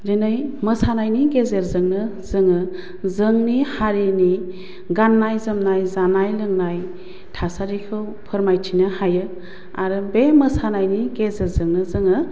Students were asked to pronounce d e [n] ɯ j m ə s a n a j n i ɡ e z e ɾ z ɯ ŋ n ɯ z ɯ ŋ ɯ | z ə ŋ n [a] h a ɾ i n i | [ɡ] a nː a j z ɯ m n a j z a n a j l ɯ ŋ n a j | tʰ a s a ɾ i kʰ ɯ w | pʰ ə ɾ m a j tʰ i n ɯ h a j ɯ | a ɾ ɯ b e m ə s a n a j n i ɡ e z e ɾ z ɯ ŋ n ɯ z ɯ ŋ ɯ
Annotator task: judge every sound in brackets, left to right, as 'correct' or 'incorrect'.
correct, incorrect, correct

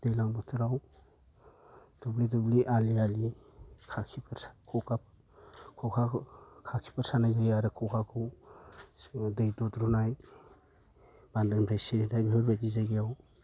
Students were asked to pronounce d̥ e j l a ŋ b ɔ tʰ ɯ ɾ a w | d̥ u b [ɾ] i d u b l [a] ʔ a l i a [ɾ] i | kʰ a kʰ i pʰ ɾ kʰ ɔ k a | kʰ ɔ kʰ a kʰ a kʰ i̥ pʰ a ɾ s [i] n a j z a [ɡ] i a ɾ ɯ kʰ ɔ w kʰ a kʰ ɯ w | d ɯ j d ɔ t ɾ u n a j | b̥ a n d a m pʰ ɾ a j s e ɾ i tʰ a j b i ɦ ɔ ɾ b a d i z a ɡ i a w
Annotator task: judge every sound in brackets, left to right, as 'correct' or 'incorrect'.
incorrect, incorrect, incorrect, incorrect, correct

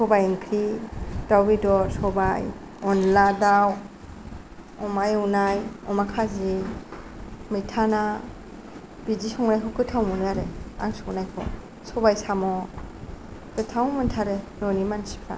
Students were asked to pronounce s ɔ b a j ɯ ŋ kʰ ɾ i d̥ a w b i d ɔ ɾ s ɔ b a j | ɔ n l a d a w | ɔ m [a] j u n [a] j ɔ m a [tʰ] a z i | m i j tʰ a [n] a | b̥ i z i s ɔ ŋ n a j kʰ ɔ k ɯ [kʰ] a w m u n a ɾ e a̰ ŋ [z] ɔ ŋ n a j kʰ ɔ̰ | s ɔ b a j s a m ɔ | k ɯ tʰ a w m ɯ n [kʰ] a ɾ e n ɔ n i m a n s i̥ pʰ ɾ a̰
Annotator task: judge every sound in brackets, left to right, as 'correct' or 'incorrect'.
correct, correct, incorrect, correct, incorrect, incorrect, incorrect

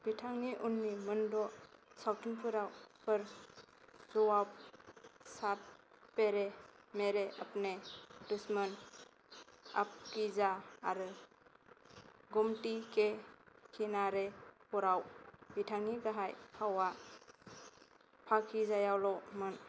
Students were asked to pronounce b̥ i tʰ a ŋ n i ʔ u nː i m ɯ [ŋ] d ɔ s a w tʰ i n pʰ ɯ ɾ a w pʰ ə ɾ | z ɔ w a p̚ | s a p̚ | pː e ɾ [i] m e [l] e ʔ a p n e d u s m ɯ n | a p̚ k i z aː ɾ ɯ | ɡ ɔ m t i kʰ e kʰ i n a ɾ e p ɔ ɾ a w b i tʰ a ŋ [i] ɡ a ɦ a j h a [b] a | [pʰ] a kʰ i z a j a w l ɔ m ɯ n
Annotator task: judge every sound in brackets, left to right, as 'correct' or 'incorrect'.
incorrect, incorrect, incorrect, correct, incorrect, correct

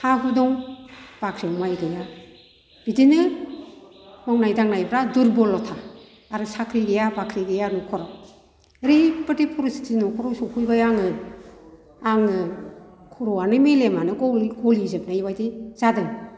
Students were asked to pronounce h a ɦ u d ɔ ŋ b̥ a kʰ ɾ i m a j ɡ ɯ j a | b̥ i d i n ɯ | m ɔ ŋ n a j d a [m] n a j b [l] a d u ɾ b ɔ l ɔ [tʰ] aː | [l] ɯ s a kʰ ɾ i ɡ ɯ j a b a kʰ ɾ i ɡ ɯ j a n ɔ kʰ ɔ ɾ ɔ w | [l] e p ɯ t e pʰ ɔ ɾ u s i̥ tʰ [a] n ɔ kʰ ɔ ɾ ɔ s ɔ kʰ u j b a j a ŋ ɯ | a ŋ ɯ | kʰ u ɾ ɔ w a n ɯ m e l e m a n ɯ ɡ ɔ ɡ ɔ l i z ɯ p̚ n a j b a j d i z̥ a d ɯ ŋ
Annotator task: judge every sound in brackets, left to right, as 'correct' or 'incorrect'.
incorrect, incorrect, correct, incorrect, incorrect, incorrect

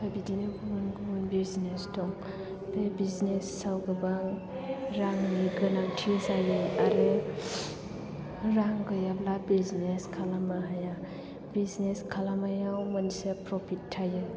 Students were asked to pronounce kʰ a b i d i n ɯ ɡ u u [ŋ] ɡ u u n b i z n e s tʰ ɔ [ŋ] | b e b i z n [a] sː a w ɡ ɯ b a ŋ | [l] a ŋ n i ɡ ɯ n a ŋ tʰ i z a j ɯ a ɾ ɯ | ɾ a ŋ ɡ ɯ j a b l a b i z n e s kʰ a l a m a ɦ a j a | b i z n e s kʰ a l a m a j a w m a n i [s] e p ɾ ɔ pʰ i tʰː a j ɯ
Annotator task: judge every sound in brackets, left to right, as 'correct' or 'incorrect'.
incorrect, correct, incorrect, incorrect, correct

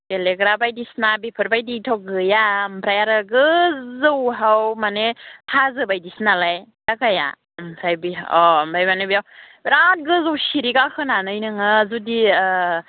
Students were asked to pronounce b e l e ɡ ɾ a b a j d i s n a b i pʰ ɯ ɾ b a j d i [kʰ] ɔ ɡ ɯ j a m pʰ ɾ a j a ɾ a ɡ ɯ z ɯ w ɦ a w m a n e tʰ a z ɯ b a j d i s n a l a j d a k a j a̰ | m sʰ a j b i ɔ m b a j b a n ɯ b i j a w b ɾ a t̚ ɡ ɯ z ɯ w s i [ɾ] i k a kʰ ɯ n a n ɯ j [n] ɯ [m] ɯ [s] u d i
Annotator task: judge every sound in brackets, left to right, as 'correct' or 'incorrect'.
incorrect, correct, correct, incorrect, incorrect

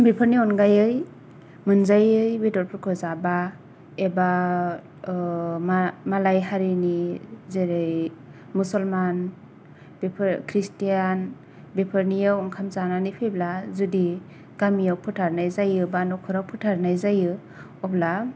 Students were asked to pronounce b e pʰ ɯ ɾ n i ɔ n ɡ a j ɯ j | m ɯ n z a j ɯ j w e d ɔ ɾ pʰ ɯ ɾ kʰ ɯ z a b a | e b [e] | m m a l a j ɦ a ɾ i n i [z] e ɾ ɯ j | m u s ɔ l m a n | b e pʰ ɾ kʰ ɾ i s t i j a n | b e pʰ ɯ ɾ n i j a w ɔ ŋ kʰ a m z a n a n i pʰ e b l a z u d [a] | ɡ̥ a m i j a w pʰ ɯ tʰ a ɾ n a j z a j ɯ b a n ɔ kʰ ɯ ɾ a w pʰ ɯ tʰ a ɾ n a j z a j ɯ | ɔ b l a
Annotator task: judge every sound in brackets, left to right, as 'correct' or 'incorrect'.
incorrect, correct, incorrect

